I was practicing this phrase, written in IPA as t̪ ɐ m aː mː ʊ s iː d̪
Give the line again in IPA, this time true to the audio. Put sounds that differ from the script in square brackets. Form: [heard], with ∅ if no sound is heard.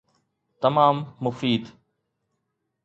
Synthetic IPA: t̪ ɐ m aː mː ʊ [f] iː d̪